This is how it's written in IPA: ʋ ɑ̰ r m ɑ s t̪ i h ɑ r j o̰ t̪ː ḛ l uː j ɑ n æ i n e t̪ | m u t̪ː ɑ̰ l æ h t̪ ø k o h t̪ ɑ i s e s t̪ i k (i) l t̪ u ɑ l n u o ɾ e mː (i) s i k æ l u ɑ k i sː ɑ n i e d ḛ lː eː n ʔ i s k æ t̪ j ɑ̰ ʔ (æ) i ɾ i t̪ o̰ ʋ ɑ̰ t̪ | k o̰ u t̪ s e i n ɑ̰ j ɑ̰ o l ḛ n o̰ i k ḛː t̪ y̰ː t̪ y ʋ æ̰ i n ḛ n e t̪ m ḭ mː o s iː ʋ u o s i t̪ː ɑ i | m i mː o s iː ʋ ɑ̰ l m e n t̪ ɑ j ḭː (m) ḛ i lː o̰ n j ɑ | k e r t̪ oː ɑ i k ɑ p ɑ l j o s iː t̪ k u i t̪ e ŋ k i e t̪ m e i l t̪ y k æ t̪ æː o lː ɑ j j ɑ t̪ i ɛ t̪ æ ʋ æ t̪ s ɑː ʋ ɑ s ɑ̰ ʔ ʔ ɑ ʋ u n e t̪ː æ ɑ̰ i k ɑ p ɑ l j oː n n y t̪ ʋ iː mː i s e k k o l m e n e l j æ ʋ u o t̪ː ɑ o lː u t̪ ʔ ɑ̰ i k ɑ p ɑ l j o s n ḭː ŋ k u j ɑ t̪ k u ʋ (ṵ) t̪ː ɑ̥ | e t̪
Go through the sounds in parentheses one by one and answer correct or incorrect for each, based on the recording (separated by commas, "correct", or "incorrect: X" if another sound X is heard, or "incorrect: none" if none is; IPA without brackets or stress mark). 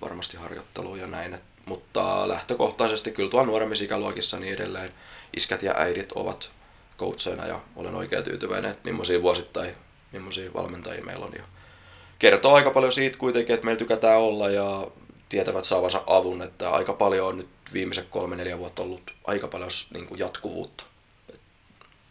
incorrect: y, correct, correct, correct, incorrect: ṵː